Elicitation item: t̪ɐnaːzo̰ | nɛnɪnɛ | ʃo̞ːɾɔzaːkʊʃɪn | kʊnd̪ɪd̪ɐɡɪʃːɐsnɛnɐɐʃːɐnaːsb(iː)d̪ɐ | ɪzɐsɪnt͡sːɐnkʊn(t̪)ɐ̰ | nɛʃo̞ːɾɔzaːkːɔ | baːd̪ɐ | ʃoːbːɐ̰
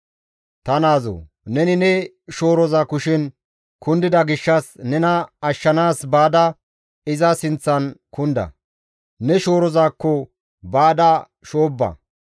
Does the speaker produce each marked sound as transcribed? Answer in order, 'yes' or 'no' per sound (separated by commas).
no, no